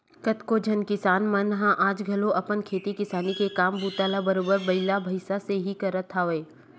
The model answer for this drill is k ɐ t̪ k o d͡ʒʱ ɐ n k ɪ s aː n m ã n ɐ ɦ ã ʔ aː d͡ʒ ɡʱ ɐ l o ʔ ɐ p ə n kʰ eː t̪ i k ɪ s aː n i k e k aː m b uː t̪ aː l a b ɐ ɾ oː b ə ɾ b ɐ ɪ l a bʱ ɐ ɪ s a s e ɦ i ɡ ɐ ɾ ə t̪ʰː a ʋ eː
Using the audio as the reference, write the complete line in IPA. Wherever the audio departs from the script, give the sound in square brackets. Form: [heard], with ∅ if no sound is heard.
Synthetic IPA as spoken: k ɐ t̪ k o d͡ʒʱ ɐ n k ɪ s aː n m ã n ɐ ɦ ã ʔ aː d͡ʒ ɡʱ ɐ l o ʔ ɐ p ə n kʰ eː t̪ i k ɪ s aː n i k e k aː m b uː t̪ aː l a b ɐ ɾ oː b ə ɾ b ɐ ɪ l a bʱ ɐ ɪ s a s e ɦ i [k] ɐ ɾ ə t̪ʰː a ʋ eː